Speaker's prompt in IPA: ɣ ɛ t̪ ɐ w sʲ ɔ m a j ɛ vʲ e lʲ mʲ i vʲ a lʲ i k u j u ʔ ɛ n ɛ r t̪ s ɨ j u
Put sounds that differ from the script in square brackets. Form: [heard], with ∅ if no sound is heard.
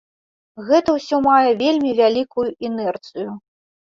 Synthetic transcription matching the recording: ɣ ɛ t̪ ɐ w sʲ ɔ m a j ɛ vʲ e lʲ mʲ i vʲ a lʲ i k u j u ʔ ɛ n ɛ r t̪ s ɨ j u